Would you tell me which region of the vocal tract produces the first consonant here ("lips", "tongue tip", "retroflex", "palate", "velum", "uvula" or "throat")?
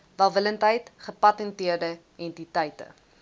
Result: lips